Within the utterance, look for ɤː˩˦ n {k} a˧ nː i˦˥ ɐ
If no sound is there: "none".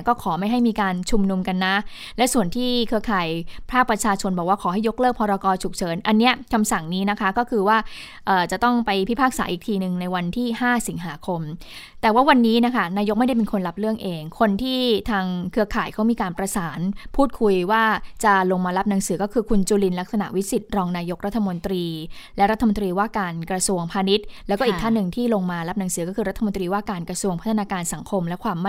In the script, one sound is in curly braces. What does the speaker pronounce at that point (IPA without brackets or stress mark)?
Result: ʔ